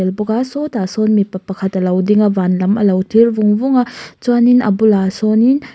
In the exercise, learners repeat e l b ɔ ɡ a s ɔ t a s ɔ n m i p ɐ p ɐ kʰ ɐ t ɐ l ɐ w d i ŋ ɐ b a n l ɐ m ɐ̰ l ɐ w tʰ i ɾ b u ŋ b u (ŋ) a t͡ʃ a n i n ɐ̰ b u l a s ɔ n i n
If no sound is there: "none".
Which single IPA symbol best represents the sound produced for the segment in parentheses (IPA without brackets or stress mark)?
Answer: ŋ